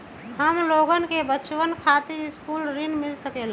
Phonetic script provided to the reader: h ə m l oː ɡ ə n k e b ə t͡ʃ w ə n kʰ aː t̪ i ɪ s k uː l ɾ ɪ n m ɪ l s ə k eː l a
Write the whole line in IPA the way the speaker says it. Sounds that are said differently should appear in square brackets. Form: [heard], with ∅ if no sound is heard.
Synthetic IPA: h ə m l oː ɡ ə n k e b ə t͡ʃ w ə n kʰ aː t̪ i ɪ s k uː l ɾ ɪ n m ɪ l s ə k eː l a